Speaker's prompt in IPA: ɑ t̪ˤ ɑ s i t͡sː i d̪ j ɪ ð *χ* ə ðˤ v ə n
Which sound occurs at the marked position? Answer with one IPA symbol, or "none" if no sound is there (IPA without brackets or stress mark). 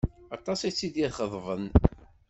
χ